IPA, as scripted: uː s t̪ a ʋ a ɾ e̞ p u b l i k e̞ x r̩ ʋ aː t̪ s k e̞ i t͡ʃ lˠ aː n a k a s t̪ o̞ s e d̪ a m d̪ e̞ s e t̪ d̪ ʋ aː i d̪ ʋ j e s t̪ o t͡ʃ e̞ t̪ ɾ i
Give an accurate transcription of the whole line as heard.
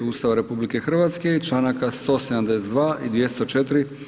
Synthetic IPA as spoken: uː s t̪ a ʋ a ɾ e̞ p u b l i k e̞ x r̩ ʋ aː t̪ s k e̞ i t͡ʃ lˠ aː n a k a s t̪ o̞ s e d̪ a m d̪ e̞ s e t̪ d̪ ʋ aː i d̪ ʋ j e s t̪ o t͡ʃ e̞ t̪ ɾ i